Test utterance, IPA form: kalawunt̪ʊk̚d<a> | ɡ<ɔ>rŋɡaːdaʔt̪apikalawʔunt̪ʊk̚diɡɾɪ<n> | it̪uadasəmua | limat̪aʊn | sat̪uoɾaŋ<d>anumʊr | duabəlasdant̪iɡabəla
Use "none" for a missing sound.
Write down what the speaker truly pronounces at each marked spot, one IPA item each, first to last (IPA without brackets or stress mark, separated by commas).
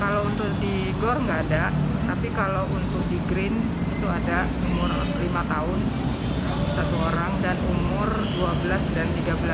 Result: i, ɔ, n, d